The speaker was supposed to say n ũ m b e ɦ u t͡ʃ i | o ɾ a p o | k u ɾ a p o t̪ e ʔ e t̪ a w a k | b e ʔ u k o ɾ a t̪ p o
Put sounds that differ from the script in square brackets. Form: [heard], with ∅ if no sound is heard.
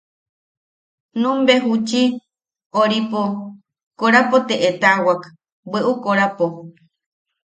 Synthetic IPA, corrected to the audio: n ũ m b e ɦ u t͡ʃ i | o ɾ [i] p o | k [o] ɾ a p o t̪ e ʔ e t̪ a w a k | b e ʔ u k o ɾ a [∅] p o